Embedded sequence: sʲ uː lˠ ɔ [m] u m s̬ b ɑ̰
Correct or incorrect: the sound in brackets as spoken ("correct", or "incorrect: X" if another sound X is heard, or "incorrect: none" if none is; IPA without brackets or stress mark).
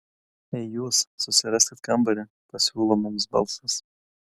correct